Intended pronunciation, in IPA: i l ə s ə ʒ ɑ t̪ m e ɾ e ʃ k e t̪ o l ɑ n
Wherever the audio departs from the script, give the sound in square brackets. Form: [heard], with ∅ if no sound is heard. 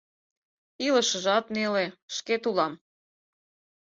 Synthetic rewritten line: i l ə [ʃ] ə ʒ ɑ t̪ [n] e [l] e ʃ k e t̪ [u] l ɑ [m]